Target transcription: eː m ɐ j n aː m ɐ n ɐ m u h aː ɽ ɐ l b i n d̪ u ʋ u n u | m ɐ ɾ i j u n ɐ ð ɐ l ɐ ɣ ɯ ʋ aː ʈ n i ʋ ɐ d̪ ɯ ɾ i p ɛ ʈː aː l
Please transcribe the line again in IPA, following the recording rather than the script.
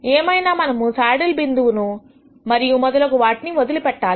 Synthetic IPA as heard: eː m ɐ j n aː m ɐ n ɐ m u s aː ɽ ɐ l b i n d̪ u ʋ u n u | m ɐ ɾ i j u m ɐ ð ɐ l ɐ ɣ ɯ ʋ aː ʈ n i ʋ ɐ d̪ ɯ l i p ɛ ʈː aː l